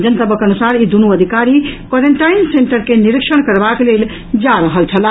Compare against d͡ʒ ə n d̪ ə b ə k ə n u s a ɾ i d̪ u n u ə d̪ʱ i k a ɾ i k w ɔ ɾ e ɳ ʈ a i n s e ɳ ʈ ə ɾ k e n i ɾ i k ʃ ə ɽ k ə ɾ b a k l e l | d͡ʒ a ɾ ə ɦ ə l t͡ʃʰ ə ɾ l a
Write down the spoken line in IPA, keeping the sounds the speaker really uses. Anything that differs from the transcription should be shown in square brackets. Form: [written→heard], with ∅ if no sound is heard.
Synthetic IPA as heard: d͡ʒ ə n [d̪→t̪] ə b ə k ə n u s a ɾ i d̪ u n u ə d̪ʱ i k a ɾ i k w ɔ ɾ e ɳ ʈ a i n s e ɳ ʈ ə ɾ k e n i ɾ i k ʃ ə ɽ k ə ɾ b a k l e l | d͡ʒ a ɾ ə ɦ ə l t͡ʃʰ ə [ɾ→∅] l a